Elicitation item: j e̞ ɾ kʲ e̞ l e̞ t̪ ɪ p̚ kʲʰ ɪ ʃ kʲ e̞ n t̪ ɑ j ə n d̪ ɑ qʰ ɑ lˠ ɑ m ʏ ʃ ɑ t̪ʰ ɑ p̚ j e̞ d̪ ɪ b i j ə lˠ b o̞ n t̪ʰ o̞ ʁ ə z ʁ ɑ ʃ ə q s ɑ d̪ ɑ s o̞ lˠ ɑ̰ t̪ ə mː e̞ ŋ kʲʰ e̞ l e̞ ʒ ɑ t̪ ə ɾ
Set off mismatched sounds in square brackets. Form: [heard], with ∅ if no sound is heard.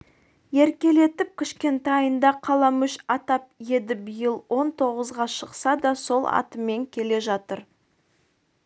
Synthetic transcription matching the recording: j e̞ ɾ kʲ e̞ l e̞ t̪ ɪ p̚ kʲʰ ɪ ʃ kʲ e̞ n t̪ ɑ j ə n d̪ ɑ qʰ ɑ lˠ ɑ m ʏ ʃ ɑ [t̪] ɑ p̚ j e̞ d̪ ɪ b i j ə lˠ [w] o̞ n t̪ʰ o̞ ʁ ə z ʁ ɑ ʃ ə q s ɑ d̪ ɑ s o̞ lˠ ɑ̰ t̪ ə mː e̞ ŋ kʲʰ e̞ l e̞ ʒ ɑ t̪ ə ɾ